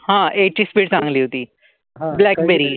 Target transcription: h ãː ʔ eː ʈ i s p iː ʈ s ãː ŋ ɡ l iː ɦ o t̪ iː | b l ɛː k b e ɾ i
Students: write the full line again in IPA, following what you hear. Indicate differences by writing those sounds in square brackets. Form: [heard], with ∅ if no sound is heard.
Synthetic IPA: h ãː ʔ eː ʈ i s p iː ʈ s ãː ŋ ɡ l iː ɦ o t̪ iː | b l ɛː k b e ɾ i